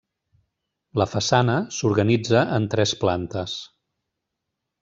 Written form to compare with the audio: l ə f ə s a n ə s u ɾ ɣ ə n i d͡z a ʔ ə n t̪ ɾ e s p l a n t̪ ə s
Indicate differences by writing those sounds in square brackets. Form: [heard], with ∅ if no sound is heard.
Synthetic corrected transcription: l ə f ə s a n ə s u ɾ ɣ ə n i d͡z [ə] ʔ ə n t̪ ɾ [ɛ] s p l a n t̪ ə s